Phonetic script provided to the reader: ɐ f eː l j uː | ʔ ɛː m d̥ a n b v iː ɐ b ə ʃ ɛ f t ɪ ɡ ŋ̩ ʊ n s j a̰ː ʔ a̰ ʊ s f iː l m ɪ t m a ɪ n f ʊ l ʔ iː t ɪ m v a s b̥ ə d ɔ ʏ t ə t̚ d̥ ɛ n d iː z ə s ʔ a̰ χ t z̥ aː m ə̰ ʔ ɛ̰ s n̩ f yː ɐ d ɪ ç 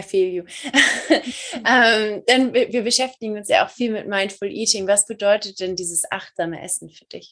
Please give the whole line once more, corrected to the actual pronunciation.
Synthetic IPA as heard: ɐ f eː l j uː | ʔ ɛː m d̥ a n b v iː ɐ b ə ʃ ɛ f t ɪ ɡ ŋ̩ ʊ n s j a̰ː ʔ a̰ ʊ x f iː l m ɪ t m a ɪ n f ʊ l ʔ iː t ɪ ŋ v a s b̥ ə d ɔ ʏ t ə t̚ d̥ ɛ n d iː z ə s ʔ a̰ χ t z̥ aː m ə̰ ʔ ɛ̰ s n̩ f yː ɐ d ɪ ç